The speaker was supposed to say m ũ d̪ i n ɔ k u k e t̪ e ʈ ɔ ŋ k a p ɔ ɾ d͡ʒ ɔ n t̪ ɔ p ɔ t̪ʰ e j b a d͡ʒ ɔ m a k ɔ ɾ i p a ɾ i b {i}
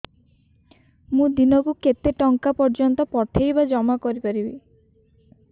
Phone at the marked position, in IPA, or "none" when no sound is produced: i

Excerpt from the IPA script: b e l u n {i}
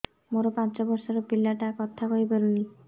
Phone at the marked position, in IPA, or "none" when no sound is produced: i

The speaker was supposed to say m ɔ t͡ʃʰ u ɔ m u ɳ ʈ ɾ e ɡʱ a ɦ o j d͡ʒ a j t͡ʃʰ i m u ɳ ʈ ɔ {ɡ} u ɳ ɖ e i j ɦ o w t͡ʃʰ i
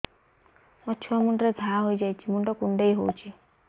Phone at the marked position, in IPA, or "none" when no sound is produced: k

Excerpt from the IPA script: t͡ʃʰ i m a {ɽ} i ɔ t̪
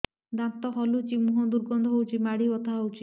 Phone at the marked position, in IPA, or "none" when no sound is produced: ɽ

